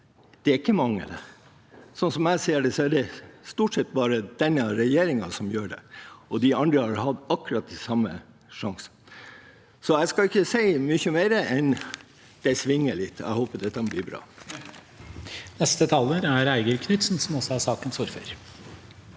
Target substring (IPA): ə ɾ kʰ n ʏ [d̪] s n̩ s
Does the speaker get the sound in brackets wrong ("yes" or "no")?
yes